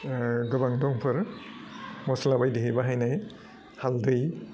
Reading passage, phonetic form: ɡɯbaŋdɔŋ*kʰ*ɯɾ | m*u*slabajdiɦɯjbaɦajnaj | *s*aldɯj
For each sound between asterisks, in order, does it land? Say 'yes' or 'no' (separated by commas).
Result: no, no, no